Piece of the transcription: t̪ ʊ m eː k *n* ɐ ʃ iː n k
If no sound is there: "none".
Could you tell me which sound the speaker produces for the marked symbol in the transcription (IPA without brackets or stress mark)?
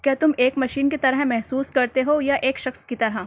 m